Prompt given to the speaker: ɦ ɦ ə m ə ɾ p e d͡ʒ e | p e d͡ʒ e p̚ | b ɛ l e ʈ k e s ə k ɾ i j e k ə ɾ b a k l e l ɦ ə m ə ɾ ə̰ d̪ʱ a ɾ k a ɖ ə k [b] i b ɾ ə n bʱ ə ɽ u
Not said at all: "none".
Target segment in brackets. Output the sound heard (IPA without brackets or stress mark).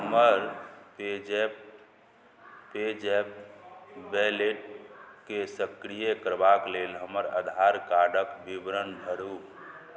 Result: b